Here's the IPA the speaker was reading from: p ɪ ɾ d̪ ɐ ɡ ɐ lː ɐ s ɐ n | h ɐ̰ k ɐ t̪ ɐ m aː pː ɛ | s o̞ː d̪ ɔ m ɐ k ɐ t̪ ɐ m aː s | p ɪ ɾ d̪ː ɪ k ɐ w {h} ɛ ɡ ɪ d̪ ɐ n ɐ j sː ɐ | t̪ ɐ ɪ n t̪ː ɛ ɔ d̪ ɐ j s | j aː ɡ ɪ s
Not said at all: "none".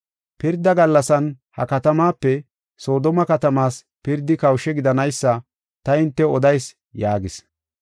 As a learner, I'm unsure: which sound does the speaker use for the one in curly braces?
ʃ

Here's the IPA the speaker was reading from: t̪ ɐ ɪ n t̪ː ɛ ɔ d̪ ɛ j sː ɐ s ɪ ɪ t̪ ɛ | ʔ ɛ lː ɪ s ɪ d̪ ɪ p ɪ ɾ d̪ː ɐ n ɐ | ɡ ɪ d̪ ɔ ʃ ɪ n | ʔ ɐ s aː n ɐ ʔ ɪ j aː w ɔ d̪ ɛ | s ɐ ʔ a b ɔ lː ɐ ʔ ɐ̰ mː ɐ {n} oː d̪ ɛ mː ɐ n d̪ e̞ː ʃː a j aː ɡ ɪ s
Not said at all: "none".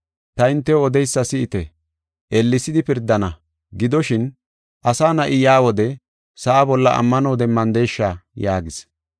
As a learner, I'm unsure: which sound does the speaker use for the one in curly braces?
n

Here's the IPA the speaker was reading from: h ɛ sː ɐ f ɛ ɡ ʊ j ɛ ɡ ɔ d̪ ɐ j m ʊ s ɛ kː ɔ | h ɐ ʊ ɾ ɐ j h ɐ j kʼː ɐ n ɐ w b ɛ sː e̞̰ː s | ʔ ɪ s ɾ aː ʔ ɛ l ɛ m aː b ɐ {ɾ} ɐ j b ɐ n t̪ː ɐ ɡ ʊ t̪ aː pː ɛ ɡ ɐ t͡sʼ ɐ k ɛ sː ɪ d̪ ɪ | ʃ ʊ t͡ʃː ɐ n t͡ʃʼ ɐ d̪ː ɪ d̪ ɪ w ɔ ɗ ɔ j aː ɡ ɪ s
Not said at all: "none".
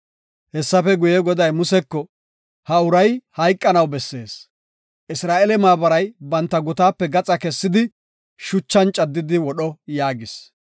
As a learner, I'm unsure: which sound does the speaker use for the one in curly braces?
ɾ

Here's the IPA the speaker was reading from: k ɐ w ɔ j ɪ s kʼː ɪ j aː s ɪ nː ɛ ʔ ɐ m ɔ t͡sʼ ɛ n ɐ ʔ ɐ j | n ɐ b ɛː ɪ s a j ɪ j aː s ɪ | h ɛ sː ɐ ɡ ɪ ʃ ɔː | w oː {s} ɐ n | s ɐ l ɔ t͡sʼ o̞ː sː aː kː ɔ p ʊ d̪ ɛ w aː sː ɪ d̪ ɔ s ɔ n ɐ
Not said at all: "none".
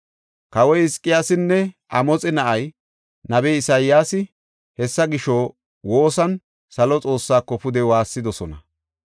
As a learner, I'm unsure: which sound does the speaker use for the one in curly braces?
s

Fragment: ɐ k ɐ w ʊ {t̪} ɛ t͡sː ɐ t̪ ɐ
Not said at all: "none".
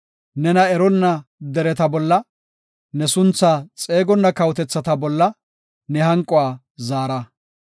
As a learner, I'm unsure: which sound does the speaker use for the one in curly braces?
t̪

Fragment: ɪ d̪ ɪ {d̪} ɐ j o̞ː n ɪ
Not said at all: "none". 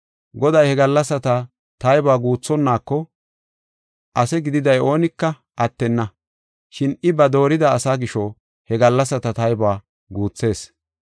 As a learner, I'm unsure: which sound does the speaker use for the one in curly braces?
d̪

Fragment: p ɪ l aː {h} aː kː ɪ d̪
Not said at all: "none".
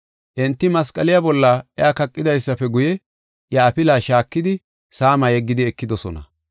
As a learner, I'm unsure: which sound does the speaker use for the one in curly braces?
ʃ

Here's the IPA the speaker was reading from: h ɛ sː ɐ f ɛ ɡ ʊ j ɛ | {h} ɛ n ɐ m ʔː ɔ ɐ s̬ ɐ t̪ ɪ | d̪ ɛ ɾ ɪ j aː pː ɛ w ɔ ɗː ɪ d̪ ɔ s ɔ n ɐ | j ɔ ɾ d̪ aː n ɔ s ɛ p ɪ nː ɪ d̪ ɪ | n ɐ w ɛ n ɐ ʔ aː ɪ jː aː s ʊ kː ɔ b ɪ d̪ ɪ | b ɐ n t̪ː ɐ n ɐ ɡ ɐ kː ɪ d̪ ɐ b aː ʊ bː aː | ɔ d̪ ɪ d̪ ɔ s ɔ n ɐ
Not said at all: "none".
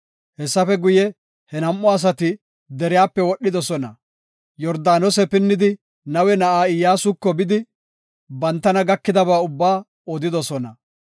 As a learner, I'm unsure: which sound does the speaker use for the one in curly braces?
h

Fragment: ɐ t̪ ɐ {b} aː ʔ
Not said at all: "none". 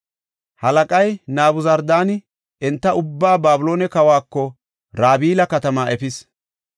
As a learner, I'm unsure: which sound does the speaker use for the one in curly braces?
m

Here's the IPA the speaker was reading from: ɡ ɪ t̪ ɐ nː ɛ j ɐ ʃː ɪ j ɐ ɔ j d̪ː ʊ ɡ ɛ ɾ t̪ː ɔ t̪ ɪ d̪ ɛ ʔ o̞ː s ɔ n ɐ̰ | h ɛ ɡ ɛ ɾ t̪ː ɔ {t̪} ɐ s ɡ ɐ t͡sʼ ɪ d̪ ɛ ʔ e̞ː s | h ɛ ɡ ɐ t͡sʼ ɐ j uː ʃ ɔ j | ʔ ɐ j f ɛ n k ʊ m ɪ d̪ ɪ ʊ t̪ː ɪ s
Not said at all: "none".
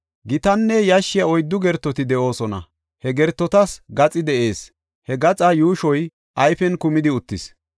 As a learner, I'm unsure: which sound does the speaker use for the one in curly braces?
t̪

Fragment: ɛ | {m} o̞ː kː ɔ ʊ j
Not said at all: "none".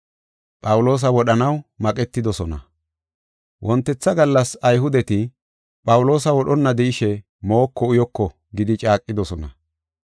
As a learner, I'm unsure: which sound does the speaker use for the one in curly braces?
m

